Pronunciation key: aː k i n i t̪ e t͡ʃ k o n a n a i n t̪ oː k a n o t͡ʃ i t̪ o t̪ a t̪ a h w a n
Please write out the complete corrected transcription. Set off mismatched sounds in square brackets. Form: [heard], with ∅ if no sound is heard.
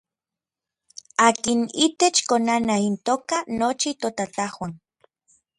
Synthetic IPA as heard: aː k i n i t̪ e t͡ʃ k o n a n a i n t̪ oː k a n o t͡ʃ i t̪ o t̪ a t̪ a h w a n